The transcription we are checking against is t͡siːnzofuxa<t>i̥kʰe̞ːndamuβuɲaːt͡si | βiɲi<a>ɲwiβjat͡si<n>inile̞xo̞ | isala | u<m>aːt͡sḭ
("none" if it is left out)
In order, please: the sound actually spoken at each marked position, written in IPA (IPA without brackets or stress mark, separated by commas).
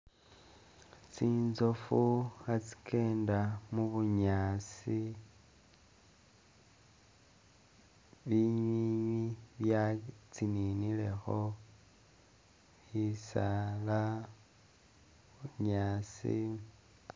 t͡s, i, n, ɲ